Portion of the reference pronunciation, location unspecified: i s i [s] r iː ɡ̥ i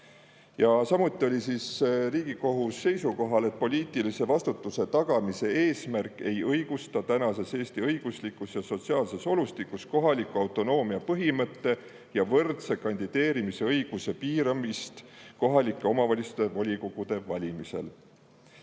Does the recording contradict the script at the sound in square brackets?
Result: no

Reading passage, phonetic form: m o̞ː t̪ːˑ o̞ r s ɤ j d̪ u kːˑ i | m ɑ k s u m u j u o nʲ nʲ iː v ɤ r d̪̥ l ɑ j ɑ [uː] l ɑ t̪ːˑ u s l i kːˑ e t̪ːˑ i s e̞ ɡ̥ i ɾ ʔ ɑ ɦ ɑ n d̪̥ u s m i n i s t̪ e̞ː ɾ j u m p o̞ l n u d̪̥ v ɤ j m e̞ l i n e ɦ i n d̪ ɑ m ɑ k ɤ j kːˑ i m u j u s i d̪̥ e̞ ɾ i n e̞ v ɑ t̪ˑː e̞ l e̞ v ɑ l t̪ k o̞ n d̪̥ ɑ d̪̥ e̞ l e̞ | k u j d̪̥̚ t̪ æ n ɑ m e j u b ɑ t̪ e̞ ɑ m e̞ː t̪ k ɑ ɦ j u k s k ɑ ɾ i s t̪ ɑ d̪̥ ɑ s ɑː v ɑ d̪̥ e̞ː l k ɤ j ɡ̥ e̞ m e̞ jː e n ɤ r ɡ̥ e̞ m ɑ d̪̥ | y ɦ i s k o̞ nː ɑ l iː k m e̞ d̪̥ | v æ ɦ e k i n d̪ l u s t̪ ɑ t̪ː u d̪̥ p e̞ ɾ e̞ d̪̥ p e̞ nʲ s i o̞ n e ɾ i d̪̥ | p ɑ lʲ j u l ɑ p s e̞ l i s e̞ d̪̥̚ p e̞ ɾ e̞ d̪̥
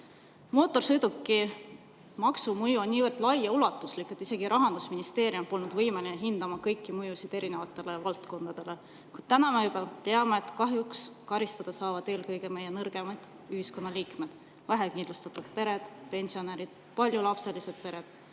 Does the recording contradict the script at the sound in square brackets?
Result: yes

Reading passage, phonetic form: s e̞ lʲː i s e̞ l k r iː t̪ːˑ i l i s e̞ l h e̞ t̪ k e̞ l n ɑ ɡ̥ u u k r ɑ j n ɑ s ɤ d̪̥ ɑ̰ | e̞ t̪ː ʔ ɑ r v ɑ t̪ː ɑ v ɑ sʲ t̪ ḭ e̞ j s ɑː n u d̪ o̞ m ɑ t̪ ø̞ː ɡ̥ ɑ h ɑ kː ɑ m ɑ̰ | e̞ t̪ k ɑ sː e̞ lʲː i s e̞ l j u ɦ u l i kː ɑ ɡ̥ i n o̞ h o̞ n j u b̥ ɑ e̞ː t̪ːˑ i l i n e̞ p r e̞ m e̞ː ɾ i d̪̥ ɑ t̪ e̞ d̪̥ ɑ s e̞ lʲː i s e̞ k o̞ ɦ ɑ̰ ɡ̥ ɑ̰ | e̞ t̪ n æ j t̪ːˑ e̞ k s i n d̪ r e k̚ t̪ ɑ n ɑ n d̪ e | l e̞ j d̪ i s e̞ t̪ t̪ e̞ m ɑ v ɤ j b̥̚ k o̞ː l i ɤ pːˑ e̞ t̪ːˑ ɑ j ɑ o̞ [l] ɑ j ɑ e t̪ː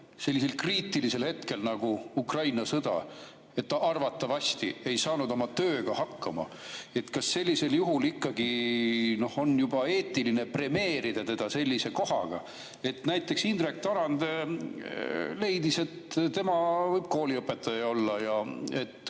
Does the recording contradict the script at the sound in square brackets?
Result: yes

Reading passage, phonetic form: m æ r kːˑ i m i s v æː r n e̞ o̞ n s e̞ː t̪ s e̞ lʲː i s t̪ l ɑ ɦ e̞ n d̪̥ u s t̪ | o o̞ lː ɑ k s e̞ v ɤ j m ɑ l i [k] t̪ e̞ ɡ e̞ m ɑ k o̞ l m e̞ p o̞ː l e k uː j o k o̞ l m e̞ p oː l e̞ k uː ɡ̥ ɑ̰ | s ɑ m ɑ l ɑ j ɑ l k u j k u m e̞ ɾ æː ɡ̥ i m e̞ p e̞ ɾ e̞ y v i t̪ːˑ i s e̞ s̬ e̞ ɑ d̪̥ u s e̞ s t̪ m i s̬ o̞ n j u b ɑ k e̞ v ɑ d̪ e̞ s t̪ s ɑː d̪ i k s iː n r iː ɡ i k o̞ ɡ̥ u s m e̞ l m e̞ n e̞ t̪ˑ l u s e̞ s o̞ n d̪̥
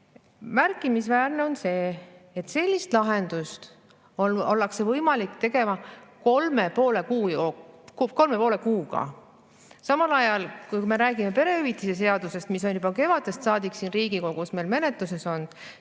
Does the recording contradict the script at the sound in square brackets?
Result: no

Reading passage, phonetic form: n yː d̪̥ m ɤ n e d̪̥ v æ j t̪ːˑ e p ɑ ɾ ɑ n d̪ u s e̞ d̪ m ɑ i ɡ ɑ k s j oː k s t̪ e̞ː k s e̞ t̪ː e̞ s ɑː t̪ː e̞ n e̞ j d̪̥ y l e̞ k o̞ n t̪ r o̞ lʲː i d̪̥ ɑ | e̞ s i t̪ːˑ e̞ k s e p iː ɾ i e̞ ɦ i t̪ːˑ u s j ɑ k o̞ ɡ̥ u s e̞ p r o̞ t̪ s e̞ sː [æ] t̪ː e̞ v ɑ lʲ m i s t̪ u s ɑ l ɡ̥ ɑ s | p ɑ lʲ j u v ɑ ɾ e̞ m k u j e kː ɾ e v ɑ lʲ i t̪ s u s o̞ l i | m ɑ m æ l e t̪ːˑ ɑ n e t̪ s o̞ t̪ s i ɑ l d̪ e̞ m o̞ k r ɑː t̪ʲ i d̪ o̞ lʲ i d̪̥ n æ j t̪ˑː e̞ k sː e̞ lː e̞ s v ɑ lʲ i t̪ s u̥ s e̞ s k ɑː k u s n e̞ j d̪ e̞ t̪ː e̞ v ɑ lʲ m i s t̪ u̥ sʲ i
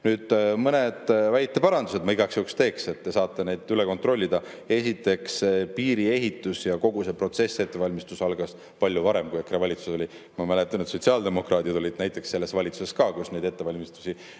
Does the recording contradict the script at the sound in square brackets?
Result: yes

